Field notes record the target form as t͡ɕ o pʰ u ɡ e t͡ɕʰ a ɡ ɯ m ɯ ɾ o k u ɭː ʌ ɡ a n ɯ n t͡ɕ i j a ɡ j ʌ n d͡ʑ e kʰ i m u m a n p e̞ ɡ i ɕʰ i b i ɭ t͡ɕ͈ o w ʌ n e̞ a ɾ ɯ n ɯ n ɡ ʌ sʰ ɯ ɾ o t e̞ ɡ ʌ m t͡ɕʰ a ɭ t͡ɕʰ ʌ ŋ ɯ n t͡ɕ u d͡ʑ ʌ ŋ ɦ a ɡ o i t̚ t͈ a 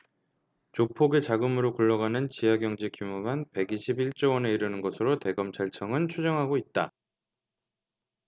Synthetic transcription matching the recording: t͡ɕ o pʰ o ɡ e t͡ɕ a ɡ ɯ m ɯ ɾ o k u ɭː ʌ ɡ a n ɯ n t͡ɕ i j a ɡ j ʌ ŋ d͡ʑ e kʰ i m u m a n p e̞ ɡ i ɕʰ i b i ɭ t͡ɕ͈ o w ʌ n e̞ i ɾ ɯ n ɯ n ɡ ʌ sʰ ɯ ɾ o t e̞ ɡ ʌ m t͡ɕʰ a ɭ t͡ɕʰ ʌ ŋ ɯ n t͡ɕʰ u d͡ʑ ʌ ŋ ɦ a ɡ o i t̚ t͈ a